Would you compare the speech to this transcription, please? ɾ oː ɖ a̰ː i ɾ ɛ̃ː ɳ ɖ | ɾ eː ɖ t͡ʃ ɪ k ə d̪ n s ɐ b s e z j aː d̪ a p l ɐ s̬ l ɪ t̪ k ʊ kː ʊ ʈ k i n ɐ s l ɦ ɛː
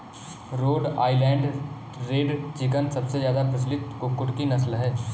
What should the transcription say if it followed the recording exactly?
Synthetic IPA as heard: ɾ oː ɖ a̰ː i l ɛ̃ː ɳ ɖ | ɾ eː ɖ t͡ʃ ɪ k ə n s ɐ b s e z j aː d̪ a p ɾ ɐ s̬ l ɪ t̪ k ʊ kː ʊ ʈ k i n ɐ s l ɦ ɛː